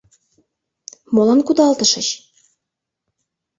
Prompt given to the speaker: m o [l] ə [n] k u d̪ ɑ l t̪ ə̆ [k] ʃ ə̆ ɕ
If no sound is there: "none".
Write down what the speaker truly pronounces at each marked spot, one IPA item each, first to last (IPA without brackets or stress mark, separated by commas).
l, n, none